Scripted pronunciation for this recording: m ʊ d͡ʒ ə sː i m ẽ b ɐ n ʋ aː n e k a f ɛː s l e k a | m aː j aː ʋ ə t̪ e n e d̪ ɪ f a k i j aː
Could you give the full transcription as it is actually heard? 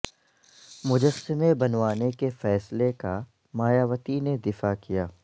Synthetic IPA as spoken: m ʊ d͡ʒ ə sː ɪ m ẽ b ɐ n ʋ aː n e k e f ɛː s l e k a | m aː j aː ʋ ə t̪ i n e d̪ ɪ f a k i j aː